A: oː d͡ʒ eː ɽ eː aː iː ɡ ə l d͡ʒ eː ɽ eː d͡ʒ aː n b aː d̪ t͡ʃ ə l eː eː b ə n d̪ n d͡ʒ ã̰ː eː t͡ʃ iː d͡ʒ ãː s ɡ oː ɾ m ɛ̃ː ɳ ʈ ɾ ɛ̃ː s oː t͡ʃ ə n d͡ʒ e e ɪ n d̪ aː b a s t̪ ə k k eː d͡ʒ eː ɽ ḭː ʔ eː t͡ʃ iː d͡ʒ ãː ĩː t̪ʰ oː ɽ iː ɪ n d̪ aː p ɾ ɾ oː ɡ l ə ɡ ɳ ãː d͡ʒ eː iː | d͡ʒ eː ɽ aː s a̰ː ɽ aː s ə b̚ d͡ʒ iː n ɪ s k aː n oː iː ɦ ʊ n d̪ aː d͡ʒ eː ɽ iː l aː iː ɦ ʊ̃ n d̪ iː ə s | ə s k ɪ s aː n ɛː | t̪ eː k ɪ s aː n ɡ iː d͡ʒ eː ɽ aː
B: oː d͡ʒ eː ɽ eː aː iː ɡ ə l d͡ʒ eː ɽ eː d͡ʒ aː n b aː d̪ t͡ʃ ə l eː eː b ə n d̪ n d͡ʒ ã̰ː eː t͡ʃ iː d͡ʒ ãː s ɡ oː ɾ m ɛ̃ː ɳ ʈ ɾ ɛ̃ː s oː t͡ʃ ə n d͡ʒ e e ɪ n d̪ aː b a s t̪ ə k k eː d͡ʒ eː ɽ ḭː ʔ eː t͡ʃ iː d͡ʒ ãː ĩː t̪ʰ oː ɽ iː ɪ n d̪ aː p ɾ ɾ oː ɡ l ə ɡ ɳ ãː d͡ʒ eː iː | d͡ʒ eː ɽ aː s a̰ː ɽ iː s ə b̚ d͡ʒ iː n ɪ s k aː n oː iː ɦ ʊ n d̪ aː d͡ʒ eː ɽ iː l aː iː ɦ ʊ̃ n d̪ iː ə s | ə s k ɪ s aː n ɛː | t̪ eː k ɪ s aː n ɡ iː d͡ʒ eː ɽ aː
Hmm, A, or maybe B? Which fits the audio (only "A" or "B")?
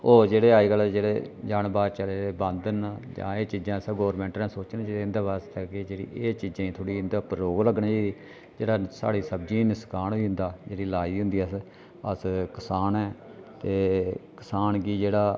B